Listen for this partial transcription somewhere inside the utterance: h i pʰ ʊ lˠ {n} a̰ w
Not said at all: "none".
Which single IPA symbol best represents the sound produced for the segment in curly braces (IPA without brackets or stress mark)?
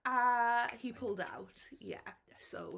d